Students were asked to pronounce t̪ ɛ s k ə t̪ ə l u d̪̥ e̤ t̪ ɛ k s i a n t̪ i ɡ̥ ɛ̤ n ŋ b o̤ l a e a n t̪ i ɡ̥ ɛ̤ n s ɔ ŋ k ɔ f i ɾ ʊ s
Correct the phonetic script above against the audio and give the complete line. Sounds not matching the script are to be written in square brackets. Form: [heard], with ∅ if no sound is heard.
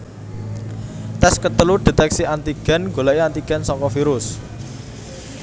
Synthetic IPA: t̪ ɛ s k ə t̪ ə l u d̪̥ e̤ t̪ ɛ k s i a n t̪ i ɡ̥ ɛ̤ n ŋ [ɡ] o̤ l a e a n t̪ i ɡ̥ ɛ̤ n s ɔ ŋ k ɔ f i ɾ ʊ s